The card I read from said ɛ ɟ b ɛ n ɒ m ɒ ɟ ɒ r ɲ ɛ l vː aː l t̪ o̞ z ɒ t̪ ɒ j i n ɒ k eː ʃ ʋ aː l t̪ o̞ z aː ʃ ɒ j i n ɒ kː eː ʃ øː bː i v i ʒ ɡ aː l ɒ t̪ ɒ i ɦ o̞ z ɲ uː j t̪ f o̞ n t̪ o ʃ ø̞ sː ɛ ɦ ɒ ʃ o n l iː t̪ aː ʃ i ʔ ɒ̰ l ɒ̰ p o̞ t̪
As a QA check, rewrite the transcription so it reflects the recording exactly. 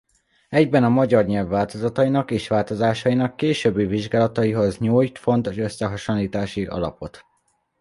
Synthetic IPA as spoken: ɛ ɟ b ɛ n ɒ m ɒ ɟ ɒ r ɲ ɛ l vː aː l t̪ o̞ z ɒ t̪ ɒ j i n ɒ k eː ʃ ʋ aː l t̪ o̞ z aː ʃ ɒ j i n ɒ kː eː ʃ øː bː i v i ʒ ɡ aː l ɒ t̪ ɒ i ɦ o̞ z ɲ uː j t̪ f o̞ n t̪ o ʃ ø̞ sː ɛ ɦ ɒ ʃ o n l iː t̪ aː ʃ i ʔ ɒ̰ l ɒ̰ p o̞ t̪